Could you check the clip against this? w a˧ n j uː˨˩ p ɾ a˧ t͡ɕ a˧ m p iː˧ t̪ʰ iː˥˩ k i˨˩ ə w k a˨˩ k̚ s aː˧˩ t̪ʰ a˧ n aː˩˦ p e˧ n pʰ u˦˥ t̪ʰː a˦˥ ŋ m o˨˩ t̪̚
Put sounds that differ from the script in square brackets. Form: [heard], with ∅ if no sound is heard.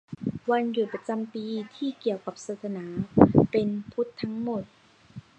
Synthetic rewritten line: w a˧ n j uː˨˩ p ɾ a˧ t͡ɕ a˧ m p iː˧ t̪ʰ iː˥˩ k i˨˩ ə w k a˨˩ [p̚] s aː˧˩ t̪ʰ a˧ n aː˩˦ p e˧ n pʰ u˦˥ t̪ʰː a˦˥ ŋ m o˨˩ t̪̚